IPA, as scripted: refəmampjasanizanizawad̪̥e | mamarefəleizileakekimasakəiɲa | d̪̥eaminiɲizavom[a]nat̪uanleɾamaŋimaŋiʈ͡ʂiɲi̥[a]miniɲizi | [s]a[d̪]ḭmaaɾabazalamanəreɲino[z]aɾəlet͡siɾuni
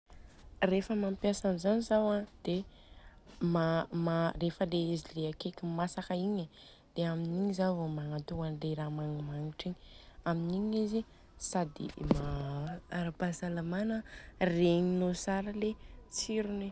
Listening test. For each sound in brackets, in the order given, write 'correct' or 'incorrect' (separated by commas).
correct, correct, correct, correct, incorrect